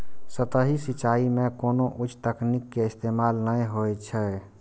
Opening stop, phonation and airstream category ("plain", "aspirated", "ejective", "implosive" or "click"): plain